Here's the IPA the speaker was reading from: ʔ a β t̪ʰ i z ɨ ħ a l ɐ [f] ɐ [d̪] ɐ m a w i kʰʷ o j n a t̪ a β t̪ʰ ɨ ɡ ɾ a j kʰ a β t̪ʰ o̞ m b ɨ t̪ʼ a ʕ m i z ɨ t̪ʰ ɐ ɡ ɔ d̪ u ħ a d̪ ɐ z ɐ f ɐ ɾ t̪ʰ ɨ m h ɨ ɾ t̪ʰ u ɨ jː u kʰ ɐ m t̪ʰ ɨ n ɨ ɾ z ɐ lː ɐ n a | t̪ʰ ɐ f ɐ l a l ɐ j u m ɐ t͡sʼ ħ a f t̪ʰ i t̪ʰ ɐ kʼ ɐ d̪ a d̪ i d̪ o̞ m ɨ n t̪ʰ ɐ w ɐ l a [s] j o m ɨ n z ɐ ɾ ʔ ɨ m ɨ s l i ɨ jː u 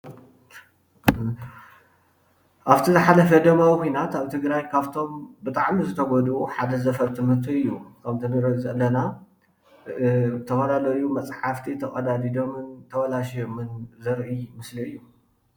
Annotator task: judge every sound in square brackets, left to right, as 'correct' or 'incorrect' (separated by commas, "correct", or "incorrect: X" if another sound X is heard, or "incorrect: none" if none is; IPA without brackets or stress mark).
correct, correct, incorrect: ʃ